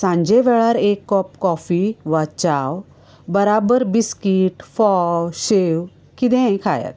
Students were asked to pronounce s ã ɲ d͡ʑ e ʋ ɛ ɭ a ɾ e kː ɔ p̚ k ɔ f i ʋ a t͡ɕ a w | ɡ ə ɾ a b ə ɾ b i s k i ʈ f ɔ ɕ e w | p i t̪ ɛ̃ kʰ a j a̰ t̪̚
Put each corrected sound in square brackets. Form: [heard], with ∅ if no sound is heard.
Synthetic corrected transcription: s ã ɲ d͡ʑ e ʋ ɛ ɭ a ɾ e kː ɔ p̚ k ɔ f i ʋ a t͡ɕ a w | [b] ə ɾ a b ə ɾ b i s k i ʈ f ɔ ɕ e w | [k] i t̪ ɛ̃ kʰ a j a̰ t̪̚

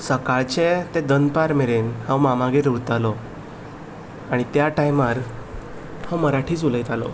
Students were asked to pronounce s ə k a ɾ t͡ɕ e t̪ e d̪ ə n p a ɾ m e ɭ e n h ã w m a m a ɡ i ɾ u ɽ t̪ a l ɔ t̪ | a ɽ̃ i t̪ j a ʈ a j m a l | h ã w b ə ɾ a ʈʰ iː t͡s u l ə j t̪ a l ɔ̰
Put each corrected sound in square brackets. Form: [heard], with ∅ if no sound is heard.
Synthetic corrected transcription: s ə k a [ɭ] t͡ɕ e t̪ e d̪ ə n p a ɾ m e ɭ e n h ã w m a m a ɡ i ɾ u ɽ t̪ a l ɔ [∅] | a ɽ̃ i t̪ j a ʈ a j m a [ɾ] | h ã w [m] ə ɾ a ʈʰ iː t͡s u l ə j t̪ a l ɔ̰

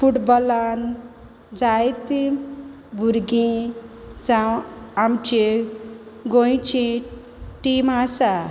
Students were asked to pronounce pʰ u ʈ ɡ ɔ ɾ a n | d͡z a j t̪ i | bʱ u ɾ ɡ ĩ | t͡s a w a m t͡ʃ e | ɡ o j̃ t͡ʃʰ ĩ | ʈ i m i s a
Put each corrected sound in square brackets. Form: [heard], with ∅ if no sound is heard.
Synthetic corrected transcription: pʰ u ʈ [b] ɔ [l] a n | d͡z a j t̪ i | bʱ u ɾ ɡ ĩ | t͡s a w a m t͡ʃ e | ɡ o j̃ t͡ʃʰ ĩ | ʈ i m [a] s a

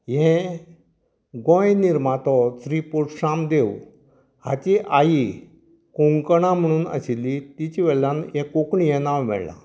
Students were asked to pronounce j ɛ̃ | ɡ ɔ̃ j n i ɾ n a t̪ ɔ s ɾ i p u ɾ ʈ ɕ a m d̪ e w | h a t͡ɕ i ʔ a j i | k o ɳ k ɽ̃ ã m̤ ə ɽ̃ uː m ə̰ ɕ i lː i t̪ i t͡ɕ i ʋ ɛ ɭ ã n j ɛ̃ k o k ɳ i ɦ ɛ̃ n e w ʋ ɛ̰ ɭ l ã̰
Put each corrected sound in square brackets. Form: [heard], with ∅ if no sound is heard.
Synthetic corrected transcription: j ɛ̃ | ɡ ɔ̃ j n i ɾ [m] a t̪ ɔ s ɾ i p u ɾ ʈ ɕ a m d̪ e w | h a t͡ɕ i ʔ a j i | k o [ŋ] k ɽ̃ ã m̤ ə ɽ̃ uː [n] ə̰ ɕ i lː i t̪ i t͡ɕ i ʋ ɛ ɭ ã n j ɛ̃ k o k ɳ i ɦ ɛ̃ n [a] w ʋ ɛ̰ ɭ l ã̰

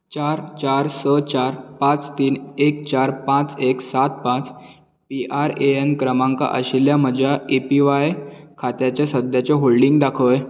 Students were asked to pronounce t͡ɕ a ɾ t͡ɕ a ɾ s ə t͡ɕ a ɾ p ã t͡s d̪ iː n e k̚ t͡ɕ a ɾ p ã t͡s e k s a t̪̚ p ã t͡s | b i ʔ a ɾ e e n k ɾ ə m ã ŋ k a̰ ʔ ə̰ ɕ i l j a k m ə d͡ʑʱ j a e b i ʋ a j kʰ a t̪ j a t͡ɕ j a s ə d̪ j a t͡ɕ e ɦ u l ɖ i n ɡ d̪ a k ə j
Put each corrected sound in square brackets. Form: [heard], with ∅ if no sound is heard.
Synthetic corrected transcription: t͡ɕ a ɾ t͡ɕ a ɾ s ə t͡ɕ a ɾ p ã t͡s [t̪] iː n e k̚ t͡ɕ a ɾ p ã t͡s e k s a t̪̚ p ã t͡s | [p] i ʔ a ɾ e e n k ɾ ə m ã ŋ k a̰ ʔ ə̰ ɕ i l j a [∅] m ə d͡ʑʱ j a e [p] i ʋ a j kʰ a t̪ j a t͡ɕ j a s ə d̪ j a t͡ɕ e ɦ [o] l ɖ i [ŋ] ɡ d̪ a [kʰ] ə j

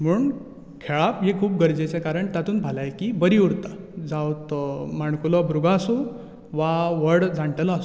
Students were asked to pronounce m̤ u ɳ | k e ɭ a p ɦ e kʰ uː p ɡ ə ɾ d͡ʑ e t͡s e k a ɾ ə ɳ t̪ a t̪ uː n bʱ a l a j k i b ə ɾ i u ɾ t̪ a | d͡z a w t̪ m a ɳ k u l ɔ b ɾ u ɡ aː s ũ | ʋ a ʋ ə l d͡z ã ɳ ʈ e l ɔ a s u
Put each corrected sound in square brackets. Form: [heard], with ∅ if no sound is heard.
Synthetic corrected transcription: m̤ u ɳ | [kʰ] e ɭ a p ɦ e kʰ uː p ɡ ə ɾ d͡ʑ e t͡s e k a ɾ ə ɳ t̪ a t̪ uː n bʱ a l a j k i b ə ɾ i u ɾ t̪ a | d͡z a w t̪ m a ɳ k u l ɔ b ɾ u ɡ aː s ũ | ʋ a ʋ ə [ɽ] d͡z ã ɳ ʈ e l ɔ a s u

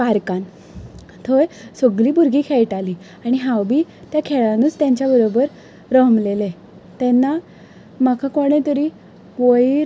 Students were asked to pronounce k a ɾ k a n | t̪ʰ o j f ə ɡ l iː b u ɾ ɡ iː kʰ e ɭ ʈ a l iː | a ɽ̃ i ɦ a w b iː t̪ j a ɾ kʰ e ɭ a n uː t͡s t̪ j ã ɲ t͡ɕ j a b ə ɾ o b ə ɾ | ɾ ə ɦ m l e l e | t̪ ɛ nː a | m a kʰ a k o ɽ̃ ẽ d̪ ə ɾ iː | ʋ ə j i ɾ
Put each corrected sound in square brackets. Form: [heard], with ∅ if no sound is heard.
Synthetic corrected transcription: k a ɾ k a n | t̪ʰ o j [s] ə ɡ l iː b u ɾ ɡ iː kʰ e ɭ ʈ a l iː | a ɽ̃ i ɦ a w b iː t̪ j a [∅] kʰ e ɭ a n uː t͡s t̪ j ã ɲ t͡ɕ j a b ə ɾ o b ə ɾ | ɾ ə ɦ m l e l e | t̪ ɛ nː a | m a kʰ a k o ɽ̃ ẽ [t̪] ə ɾ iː | ʋ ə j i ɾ

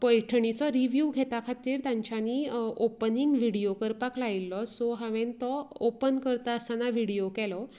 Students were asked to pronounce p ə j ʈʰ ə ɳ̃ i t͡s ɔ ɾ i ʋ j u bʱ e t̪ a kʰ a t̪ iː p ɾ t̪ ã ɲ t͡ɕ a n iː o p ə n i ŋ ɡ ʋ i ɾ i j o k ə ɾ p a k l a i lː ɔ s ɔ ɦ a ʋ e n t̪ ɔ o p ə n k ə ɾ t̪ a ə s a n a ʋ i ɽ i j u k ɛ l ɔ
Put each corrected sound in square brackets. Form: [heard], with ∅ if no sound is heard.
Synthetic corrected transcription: p ə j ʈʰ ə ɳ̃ i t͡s ɔ ɾ i ʋ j u [ɡʱ] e t̪ a kʰ a t̪ iː [∅] ɾ t̪ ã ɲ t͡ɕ a n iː o p ə n i ŋ ɡ ʋ i [ɽ] i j o k ə ɾ p a k l a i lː ɔ s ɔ ɦ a ʋ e n t̪ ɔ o p ə n k ə ɾ t̪ a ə s a n a ʋ i ɽ i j [o] k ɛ l ɔ

